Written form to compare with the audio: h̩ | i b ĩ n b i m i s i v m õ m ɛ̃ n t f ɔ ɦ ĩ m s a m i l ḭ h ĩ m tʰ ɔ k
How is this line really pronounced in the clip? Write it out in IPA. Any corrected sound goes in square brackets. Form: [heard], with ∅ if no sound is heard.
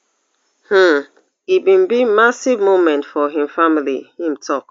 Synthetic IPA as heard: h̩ | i b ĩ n b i m [a] s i v m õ m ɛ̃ n t f ɔ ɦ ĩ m [f] a m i l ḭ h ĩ m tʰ ɔ k